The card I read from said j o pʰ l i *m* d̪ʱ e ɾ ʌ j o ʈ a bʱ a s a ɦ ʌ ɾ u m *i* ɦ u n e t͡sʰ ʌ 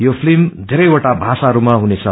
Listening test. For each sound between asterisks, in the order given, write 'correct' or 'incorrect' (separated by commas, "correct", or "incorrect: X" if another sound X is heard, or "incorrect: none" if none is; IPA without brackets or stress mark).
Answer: correct, incorrect: a